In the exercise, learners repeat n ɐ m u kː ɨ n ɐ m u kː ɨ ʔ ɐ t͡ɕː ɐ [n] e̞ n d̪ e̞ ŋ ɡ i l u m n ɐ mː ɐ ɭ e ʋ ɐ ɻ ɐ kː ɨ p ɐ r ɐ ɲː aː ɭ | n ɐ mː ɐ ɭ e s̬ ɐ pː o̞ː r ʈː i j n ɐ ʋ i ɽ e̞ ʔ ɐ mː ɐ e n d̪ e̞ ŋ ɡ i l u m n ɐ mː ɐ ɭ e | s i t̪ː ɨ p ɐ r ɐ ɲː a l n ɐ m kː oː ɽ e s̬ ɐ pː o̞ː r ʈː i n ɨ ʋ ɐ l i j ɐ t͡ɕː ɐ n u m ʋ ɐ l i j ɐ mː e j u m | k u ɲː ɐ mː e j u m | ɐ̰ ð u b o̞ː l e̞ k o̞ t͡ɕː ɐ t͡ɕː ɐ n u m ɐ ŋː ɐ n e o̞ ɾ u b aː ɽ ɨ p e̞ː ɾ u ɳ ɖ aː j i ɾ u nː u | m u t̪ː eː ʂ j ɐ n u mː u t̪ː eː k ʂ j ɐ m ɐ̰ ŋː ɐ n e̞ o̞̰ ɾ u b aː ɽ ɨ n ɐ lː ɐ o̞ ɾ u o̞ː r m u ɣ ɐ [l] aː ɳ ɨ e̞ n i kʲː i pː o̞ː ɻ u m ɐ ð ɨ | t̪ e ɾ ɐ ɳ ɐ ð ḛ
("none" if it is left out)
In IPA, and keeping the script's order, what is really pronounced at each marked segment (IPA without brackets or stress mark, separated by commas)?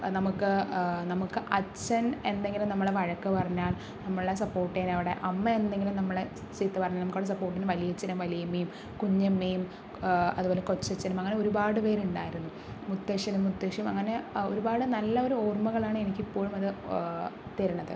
n, ɭ